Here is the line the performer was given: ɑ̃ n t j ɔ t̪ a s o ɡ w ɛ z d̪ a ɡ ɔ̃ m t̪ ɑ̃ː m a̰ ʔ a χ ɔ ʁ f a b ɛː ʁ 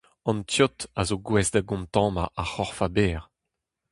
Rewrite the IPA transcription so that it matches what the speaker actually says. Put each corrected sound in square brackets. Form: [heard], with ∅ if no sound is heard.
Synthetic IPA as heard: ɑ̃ n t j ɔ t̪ a [z] o ɡ w ɛ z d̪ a ɡ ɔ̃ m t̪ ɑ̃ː m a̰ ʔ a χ ɔ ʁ f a b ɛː ʁ